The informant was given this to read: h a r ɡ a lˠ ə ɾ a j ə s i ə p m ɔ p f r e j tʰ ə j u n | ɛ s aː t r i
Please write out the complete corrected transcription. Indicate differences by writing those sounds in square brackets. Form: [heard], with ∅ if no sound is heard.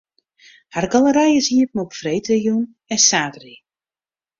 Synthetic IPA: h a r ɡ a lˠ ə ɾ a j ə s i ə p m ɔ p f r e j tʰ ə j u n | ɛ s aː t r i